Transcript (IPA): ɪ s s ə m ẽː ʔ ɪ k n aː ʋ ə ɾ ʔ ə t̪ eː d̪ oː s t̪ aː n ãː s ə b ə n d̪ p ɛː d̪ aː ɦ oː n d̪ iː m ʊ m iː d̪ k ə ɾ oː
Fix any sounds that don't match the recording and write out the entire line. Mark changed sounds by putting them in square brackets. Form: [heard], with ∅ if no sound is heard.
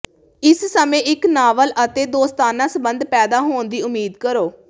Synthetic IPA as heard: ɪ s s ə m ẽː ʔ ɪ k n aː ʋ ə [l] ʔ ə t̪ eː d̪ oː s t̪ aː n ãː s ə b ə n d̪ p ɛː d̪ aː ɦ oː n d̪ iː [∅] ʊ m iː d̪ k ə ɾ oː